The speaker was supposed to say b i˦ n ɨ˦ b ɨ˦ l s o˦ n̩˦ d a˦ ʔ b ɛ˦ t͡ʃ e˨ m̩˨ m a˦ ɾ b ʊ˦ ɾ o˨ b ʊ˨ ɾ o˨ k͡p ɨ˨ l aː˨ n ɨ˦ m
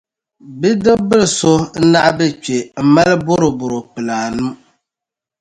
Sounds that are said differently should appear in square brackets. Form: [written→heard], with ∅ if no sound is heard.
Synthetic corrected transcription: b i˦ [n→d] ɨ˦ b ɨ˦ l s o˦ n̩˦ [d→n] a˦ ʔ b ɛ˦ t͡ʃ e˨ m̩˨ m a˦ [ɾ→l] b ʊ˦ ɾ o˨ b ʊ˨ ɾ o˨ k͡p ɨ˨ l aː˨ n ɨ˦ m